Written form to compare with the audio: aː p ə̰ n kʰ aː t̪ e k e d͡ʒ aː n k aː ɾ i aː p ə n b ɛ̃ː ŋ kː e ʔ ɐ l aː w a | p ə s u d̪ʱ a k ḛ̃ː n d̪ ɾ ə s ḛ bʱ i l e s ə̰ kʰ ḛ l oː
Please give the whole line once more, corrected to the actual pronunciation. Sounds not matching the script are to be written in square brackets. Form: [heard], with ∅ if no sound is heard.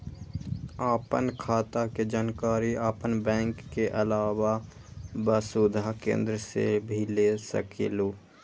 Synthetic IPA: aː p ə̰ n kʰ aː t̪ [a] k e d͡ʒ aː n k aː ɾ i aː p ə n b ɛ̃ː ŋ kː e ʔ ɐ l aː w a | [b] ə s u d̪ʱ a k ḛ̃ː n d̪ ɾ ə s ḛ bʱ i l e s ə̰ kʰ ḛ l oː